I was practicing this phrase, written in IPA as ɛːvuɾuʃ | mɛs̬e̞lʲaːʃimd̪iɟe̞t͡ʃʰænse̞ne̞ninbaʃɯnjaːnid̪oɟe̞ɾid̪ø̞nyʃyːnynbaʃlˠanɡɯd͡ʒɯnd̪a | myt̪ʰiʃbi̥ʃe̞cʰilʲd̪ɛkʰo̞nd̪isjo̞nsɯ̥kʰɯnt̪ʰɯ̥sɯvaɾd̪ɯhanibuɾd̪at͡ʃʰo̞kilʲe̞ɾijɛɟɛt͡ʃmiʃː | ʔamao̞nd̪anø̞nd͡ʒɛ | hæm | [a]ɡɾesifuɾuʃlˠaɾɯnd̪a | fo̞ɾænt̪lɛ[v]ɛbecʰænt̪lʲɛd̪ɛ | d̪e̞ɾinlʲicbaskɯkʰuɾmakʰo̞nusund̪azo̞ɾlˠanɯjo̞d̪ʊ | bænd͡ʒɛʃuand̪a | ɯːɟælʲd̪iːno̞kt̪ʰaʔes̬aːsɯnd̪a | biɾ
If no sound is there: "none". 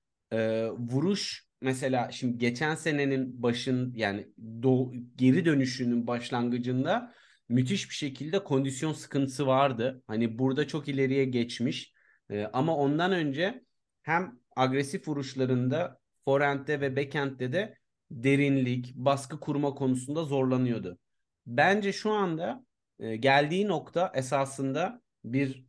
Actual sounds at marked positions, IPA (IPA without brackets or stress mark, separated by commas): a, v